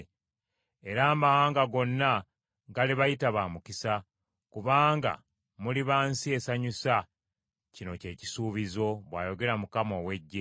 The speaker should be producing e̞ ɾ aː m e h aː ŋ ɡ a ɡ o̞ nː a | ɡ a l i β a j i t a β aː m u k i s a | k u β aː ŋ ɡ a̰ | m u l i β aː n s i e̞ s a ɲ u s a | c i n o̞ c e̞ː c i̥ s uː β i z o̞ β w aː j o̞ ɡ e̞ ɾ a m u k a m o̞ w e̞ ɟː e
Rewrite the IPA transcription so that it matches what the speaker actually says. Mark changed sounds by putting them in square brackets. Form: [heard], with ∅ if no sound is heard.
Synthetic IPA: e̞ ɾ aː m [a] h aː ŋ ɡ a ɡ o̞ nː a | ɡ a l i β a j i t a β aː m u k i s a | k u β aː ŋ ɡ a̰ | m u l i β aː n s i e̞ s a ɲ u s a | c i n o̞ c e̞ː c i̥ s uː β i z o̞ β w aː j o̞ ɡ e̞ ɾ a m u k a m o̞ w e̞ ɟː e